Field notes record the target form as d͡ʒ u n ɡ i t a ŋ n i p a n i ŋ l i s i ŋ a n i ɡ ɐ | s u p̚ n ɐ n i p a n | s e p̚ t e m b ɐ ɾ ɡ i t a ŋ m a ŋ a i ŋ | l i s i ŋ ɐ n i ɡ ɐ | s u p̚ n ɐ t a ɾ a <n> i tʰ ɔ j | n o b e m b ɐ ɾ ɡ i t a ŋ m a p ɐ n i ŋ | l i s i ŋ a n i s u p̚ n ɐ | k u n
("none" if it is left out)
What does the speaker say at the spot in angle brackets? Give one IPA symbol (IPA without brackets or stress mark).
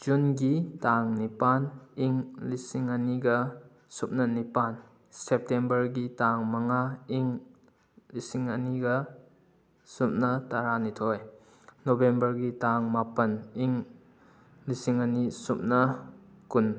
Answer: n